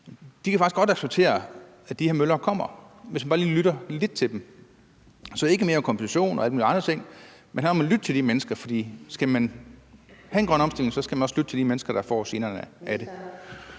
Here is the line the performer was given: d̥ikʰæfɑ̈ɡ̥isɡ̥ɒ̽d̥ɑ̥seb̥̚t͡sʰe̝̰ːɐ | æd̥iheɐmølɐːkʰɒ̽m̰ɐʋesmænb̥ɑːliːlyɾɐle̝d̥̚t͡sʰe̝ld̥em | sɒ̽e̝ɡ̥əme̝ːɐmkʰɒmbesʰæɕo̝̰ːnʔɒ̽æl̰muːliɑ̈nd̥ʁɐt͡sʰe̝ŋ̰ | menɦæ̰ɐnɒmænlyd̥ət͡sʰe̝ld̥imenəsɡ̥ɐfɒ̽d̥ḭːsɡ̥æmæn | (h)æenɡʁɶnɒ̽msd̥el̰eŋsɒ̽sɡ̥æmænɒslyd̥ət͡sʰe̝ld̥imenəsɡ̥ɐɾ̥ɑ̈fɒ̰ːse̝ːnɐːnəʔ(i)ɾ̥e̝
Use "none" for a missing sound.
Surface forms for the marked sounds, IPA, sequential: h, æ

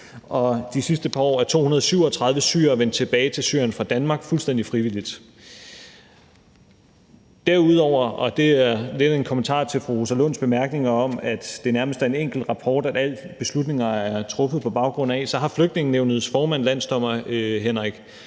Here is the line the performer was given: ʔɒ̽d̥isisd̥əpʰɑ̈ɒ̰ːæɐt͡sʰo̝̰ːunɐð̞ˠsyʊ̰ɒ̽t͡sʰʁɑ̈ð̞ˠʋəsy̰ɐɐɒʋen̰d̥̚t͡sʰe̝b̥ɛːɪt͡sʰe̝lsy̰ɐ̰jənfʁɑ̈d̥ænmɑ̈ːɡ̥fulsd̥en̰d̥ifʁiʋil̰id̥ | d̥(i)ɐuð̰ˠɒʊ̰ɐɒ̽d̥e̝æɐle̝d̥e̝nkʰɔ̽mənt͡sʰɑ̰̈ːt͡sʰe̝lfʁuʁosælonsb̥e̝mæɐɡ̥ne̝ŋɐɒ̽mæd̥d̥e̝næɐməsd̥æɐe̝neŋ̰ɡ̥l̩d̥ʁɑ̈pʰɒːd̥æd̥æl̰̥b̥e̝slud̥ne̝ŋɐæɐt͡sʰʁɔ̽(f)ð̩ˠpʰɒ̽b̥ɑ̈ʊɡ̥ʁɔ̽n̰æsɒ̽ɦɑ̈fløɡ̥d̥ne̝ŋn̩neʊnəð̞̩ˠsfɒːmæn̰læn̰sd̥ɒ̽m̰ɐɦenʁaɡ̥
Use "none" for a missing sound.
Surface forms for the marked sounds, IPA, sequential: æ, f

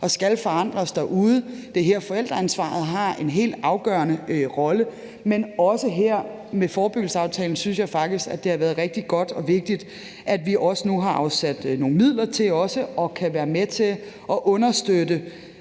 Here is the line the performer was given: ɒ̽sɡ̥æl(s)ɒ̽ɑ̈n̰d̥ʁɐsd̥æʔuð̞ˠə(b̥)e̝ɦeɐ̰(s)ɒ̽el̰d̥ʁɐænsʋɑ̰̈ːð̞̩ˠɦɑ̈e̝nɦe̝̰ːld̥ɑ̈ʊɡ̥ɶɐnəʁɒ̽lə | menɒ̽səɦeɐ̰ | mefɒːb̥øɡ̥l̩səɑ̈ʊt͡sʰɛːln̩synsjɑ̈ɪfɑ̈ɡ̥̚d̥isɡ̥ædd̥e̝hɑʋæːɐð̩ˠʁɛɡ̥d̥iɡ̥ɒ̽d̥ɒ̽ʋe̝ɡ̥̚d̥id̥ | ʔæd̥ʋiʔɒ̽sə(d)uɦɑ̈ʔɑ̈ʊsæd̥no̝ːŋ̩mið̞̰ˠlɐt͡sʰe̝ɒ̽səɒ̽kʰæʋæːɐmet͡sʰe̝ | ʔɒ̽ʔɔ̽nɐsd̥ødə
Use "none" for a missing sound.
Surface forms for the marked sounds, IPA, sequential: f, d̥, f, n

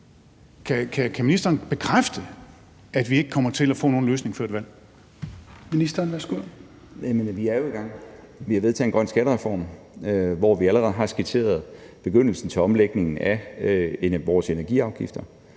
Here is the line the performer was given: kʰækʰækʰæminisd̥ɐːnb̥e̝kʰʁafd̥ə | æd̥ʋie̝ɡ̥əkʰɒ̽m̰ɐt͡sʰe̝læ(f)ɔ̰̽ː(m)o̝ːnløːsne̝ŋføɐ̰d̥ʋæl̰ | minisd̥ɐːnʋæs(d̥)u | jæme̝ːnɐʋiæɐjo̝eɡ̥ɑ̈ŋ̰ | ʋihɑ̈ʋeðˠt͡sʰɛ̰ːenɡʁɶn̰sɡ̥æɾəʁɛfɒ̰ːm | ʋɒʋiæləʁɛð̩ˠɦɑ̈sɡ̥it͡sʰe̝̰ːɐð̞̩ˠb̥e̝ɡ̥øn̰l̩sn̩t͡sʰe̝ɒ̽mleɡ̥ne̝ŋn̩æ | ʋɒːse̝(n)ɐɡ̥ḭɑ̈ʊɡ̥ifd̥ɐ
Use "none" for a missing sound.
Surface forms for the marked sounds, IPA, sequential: f, n, ɡ̥, n

